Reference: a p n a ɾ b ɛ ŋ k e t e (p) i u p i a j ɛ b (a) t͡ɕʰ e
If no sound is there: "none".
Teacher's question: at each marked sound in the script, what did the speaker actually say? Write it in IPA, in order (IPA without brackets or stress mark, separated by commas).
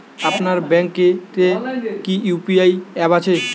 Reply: k, a